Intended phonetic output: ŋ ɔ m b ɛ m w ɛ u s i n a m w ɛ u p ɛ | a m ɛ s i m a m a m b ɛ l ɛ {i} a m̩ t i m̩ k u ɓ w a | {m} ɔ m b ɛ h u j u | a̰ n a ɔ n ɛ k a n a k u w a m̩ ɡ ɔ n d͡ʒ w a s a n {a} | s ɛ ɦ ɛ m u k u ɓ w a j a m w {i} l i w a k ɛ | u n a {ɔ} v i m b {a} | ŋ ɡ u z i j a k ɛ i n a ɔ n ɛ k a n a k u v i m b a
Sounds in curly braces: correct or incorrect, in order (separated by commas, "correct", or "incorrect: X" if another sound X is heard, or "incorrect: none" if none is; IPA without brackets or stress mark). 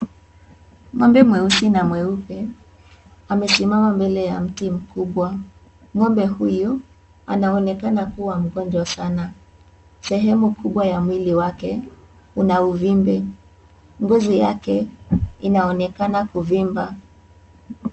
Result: incorrect: j, incorrect: ŋ, correct, correct, incorrect: u, incorrect: ɛ